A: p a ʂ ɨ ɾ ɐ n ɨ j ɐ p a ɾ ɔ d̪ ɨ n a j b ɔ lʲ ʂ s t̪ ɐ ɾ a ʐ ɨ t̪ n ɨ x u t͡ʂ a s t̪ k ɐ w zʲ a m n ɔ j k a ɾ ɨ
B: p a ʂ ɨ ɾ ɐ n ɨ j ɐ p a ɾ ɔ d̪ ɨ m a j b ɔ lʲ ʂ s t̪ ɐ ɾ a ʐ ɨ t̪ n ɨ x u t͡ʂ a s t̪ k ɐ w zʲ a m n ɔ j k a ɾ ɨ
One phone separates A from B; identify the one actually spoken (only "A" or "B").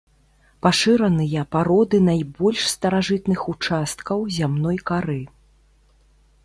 A